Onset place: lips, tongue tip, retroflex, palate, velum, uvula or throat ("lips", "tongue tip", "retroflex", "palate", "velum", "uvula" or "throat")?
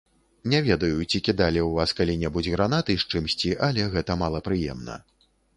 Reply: tongue tip